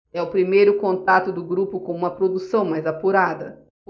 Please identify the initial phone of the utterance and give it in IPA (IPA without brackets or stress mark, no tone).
ɛ